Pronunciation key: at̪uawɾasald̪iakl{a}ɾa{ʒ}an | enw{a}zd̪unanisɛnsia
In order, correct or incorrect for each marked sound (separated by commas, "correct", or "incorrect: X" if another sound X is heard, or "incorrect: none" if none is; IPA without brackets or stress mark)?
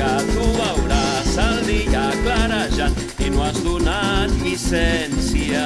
correct, correct, correct